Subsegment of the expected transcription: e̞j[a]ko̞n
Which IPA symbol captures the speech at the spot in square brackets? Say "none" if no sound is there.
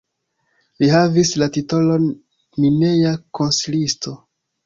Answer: a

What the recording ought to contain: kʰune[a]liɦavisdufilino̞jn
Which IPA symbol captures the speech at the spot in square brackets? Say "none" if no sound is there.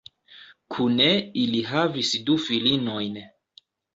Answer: i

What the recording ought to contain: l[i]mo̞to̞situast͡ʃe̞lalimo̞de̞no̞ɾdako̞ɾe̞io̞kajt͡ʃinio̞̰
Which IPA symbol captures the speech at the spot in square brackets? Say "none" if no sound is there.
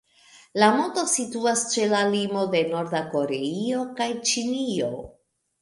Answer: a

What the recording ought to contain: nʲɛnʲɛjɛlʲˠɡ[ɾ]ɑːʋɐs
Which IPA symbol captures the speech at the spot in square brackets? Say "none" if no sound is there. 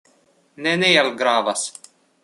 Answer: ɾ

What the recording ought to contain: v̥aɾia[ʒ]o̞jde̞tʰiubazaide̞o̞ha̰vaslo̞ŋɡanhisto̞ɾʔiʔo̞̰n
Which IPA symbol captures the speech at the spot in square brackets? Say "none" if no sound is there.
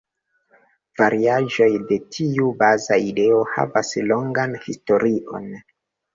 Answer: ʒ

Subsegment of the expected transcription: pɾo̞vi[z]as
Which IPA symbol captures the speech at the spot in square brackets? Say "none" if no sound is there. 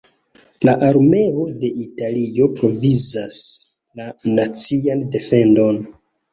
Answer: z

